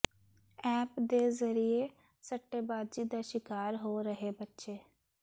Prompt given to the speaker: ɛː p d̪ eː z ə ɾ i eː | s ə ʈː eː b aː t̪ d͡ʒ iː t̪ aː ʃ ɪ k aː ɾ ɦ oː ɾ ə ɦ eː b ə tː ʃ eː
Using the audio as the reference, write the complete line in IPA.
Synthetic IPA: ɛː p d̪ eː z ə ɾ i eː | s ə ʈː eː b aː d̪ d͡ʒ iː d̪ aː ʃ ɪ k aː ɾ ɦ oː ɾ ə ɦ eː b ə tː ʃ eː